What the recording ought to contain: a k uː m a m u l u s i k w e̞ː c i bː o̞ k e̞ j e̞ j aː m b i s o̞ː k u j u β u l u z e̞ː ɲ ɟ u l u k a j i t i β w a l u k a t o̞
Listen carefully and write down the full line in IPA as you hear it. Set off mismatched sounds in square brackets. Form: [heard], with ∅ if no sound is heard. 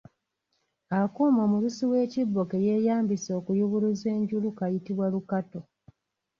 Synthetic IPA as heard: a k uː m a m u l u s i [∅] w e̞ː c i bː o̞ k e̞ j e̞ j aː m b i s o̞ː k u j u β u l u z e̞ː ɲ ɟ u l u k a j i t i β w a l u k a t o̞